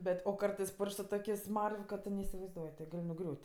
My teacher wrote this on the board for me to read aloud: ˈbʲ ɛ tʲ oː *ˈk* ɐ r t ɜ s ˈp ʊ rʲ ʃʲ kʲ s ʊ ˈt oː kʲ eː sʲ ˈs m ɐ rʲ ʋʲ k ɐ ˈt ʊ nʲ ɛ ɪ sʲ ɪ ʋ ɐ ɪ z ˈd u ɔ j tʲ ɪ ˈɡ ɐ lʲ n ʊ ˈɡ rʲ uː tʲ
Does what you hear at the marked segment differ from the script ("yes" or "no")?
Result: no